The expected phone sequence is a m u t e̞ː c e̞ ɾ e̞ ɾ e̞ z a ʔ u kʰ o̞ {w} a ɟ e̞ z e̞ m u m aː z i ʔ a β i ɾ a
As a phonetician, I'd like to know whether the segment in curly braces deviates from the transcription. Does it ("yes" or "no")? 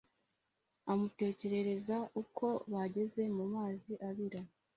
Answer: yes